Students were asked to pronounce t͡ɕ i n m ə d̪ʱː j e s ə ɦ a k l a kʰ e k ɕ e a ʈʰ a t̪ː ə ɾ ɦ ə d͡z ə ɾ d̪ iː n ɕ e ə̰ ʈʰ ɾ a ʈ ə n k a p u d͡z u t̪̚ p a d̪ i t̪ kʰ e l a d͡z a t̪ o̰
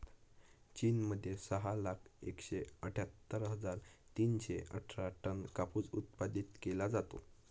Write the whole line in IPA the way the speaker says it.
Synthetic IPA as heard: t͡ɕ i n m ə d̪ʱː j e s ə ɦ a l a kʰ e k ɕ e ə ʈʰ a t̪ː ə ɾ ɦ ə d͡z a ɾ t̪ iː n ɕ e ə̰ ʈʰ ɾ a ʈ ə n k a p u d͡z u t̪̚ p a d̪ i t̪ k e l a d͡z a t̪ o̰